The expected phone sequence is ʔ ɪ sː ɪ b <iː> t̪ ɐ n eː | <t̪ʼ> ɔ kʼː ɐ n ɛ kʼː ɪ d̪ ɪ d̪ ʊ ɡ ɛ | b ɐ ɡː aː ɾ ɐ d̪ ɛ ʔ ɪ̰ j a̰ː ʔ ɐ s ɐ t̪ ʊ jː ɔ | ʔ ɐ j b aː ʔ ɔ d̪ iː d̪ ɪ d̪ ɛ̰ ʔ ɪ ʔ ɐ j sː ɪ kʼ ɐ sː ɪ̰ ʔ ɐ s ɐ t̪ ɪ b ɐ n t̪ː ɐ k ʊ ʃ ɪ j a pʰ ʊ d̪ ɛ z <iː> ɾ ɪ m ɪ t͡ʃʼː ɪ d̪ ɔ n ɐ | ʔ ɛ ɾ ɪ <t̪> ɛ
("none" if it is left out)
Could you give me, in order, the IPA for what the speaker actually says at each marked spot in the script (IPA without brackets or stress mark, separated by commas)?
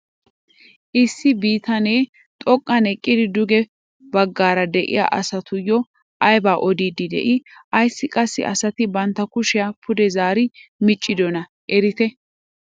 iː, t̪ʼ, aː, t̪